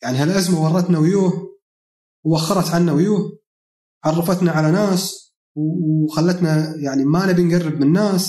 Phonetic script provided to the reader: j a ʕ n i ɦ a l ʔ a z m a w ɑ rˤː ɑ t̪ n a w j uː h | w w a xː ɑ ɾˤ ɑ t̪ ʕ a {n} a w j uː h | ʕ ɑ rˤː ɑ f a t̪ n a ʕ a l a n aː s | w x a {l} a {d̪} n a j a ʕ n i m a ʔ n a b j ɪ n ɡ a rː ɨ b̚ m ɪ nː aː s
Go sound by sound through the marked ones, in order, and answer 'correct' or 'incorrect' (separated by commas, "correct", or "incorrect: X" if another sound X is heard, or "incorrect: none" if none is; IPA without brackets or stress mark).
incorrect: nː, incorrect: lː, incorrect: t̪